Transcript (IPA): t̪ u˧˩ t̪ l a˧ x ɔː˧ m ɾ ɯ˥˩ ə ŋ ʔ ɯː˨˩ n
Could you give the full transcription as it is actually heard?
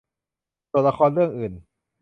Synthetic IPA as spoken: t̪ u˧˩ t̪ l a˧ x ɔː˧ n ɾ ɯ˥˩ ə ŋ ʔ ɯː˨˩ n